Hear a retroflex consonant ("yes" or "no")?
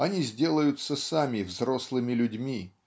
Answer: no